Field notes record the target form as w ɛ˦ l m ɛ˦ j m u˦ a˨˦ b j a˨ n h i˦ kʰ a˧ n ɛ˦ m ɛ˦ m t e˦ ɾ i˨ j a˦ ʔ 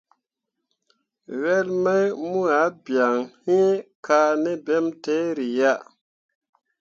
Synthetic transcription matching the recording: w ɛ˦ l m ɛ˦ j m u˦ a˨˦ b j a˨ ŋ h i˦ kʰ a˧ n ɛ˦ b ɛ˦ m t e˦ ɾ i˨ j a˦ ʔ

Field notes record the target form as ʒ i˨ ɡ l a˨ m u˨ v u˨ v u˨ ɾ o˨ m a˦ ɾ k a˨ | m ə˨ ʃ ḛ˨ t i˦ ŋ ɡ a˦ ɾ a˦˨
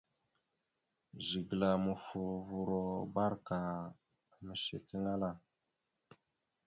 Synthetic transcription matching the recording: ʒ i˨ ɡ l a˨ m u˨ f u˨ v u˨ ɾ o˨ b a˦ ɾ k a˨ | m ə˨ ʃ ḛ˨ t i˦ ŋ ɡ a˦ l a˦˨

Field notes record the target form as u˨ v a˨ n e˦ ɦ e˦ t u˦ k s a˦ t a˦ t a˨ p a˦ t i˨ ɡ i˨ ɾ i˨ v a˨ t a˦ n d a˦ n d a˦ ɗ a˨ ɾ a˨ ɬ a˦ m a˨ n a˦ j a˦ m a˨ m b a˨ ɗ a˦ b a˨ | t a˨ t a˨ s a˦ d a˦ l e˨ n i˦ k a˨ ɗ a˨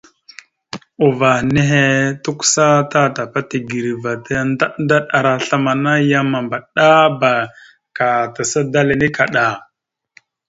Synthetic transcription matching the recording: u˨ v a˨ n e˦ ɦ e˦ t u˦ k s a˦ t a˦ t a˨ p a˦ t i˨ ɡ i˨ ɾ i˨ v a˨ t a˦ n d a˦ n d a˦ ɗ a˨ ɾ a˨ ɬ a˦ m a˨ n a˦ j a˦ m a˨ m b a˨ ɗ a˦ b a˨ | k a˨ t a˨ s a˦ d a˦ l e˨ n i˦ k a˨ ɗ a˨

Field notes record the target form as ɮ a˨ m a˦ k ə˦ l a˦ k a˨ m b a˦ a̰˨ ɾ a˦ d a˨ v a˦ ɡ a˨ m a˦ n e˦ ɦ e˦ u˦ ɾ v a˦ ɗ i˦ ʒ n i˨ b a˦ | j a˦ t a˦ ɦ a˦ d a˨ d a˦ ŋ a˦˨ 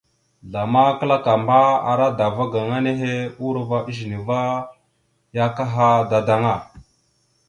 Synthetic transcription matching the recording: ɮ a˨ m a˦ k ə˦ l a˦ k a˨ m b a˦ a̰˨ ɾ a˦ d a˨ v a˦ ɡ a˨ ŋ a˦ n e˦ ɦ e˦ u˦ ɾ v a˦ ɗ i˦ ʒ n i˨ v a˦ | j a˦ k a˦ ɦ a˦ d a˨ d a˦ ŋ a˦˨

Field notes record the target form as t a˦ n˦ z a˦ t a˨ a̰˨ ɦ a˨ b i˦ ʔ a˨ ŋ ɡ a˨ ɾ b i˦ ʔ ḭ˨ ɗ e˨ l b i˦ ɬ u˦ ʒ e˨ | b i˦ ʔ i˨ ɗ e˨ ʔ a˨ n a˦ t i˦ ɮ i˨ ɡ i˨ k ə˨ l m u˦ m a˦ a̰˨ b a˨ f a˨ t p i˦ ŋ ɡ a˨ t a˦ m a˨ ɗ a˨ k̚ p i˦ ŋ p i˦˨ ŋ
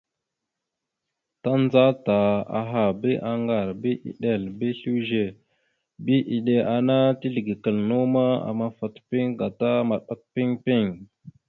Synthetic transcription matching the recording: t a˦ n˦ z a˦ t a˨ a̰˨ ɦ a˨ b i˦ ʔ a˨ ŋ ɡ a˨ ɾ b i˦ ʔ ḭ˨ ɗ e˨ l b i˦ ɬ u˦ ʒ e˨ | b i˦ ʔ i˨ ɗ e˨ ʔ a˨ n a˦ t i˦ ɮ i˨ ɡ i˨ k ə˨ l n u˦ m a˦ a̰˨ m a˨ f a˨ t p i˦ ŋ ɡ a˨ t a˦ m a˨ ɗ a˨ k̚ p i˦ ŋ p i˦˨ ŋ

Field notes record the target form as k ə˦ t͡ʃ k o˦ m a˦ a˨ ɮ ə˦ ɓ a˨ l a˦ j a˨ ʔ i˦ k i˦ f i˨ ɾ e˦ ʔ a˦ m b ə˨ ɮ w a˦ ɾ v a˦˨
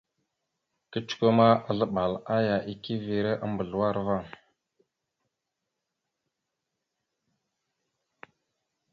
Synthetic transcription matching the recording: k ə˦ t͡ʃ k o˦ m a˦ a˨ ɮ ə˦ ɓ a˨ l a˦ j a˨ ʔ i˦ k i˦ v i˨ ɾ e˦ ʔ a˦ m b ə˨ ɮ w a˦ ɾ v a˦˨

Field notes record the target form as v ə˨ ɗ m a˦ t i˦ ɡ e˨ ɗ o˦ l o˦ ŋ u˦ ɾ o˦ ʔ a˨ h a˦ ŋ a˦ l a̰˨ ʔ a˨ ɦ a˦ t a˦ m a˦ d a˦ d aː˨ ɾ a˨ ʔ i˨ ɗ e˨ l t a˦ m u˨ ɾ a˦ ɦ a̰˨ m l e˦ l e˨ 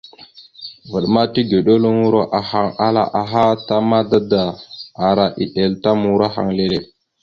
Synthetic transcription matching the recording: v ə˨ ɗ m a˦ t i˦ ɡ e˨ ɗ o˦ l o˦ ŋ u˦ ɾ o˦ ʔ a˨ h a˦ ŋ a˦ l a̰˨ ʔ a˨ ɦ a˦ t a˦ m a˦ d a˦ d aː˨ ɾ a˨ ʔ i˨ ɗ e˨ l t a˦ m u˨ ɾ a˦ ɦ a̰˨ ŋ l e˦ l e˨

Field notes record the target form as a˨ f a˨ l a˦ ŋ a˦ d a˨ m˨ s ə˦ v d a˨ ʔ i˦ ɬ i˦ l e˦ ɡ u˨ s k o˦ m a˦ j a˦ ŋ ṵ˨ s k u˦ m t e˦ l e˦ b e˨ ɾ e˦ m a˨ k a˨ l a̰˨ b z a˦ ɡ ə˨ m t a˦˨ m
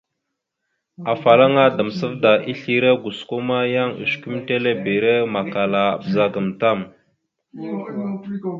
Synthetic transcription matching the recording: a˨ f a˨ l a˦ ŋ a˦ d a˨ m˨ s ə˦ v d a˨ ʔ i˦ ɬ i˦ ɾ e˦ ɡ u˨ s k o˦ m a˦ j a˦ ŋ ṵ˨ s k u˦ m t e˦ l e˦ b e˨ ɾ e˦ m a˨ k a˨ l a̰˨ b z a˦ ɡ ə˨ m t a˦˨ m

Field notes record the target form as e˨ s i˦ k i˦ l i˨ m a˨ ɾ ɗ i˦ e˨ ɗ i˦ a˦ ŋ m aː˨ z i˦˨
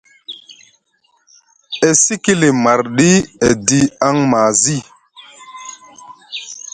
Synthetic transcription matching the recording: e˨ s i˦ k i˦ l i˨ m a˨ ɾ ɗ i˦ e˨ d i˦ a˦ ŋ m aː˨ z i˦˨

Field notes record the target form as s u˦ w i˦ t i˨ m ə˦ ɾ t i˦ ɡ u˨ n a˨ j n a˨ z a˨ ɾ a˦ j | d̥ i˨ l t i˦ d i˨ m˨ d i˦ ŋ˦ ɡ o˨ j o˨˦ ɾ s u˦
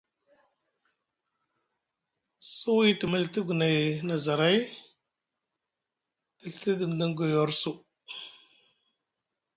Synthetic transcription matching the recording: s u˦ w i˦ t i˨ m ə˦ l t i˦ ɡ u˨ n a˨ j n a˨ z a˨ ɾ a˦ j | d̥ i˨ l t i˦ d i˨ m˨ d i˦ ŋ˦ ɡ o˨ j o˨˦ ɾ s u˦

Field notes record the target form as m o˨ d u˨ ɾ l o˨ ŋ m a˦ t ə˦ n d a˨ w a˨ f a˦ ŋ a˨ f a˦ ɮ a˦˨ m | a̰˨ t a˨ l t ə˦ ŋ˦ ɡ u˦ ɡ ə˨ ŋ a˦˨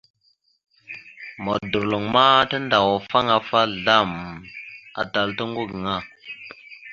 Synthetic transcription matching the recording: m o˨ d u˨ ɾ l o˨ ŋ m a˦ t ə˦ n d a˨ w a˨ f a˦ ŋ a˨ f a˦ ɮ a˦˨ m | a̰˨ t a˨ l t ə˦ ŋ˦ ɡ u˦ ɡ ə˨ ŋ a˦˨

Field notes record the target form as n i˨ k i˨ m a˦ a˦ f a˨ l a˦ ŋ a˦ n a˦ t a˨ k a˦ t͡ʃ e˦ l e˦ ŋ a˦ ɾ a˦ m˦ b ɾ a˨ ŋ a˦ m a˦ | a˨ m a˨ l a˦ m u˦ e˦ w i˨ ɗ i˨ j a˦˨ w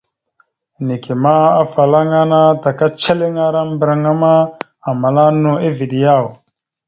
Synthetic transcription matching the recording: n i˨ k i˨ m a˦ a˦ f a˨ l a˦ ŋ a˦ n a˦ t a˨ k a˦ t͡ʃ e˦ l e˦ ŋ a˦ ɾ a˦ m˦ b ɾ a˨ ŋ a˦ m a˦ | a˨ m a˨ l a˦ n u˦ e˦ v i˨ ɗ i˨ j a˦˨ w

